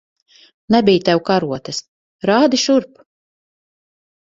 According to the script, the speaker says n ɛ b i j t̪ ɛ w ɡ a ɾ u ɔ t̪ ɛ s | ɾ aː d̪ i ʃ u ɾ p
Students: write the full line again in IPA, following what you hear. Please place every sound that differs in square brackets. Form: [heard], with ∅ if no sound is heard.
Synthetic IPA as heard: n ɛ b i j t̪ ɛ w [k] a ɾ u ɔ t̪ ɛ s | ɾ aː d̪ i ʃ u ɾ p